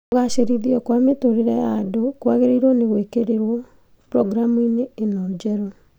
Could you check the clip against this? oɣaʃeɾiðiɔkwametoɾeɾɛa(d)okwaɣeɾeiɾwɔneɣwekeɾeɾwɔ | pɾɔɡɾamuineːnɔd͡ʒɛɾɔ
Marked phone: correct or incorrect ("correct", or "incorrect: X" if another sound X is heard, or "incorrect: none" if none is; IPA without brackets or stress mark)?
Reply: correct